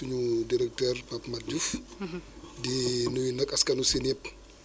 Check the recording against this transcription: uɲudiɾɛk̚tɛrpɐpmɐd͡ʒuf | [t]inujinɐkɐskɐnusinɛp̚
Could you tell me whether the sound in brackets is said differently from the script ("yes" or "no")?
yes